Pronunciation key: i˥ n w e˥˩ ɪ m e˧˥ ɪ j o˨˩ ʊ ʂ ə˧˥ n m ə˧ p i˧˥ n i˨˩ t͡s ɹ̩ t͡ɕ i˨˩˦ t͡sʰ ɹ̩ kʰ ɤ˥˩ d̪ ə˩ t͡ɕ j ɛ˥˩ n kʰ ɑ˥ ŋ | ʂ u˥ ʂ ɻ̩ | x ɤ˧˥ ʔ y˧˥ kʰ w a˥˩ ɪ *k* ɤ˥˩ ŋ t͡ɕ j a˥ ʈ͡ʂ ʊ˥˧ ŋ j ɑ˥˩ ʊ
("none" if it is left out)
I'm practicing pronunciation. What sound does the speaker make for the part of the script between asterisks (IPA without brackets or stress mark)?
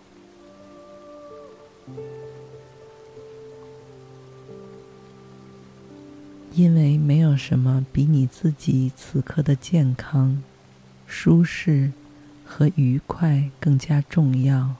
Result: k